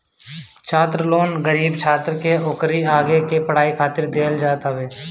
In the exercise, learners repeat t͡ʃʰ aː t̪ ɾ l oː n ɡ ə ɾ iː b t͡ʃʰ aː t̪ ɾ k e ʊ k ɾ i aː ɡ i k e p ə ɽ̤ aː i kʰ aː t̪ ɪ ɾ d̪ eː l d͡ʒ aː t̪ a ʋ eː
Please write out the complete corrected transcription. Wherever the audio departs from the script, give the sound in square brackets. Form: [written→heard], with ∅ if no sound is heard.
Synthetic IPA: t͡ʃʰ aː t̪ ɾ l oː n ɡ ə ɾ iː b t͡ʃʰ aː t̪ ɾ k e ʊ k ɾ i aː ɡ [i→e] k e p ə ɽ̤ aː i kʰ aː t̪ ɪ ɾ d̪ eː l d͡ʒ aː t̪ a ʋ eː